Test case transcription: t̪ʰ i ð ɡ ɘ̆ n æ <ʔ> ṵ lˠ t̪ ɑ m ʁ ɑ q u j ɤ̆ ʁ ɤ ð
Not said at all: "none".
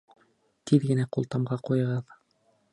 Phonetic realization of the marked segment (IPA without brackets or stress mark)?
q